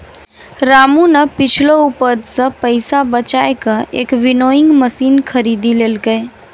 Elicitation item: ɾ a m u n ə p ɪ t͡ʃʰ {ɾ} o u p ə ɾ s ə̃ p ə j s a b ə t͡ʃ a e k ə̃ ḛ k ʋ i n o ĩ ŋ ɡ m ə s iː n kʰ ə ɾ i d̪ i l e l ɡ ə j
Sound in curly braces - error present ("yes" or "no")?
yes